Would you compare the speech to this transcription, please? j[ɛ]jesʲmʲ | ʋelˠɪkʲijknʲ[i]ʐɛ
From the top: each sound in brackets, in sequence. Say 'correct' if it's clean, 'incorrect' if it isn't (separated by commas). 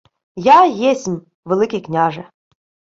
incorrect, incorrect